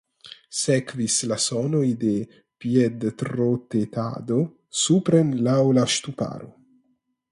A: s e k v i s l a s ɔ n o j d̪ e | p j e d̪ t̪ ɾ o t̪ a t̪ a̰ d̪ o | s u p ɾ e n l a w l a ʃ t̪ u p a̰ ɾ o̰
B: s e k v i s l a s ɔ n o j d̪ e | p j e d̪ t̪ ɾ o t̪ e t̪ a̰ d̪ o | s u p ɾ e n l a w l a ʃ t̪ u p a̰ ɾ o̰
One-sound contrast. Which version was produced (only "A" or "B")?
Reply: B